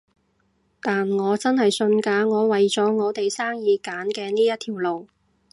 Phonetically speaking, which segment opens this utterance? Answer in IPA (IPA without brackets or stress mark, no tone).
t̪